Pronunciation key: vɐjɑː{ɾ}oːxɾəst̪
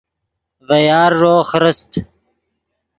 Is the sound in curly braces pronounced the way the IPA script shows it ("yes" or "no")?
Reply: no